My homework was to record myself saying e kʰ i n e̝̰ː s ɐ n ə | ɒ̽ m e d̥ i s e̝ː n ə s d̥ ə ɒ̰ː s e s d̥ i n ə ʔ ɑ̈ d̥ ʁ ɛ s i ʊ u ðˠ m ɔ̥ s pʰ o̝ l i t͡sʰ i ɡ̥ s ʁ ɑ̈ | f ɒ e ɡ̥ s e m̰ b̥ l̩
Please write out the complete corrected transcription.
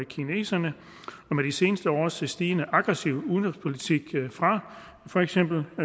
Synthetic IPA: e kʰ i n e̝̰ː s ɐ n ə | ɒ̽ m e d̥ i s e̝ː n ə s d̥ ə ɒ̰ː s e s d̥ iː n ə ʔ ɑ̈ ɡ̥ ʁ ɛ s i ʊ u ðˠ n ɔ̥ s pʰ o̝ l i t͡sʰ i ɡ̥ f ʁ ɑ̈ | f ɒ e ɡ̥ s e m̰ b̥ l̩